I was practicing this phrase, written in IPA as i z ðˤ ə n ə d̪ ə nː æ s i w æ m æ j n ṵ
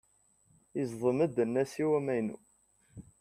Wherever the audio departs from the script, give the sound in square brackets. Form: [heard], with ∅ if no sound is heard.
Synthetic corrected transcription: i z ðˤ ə [m] ə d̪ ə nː æ s i w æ m æ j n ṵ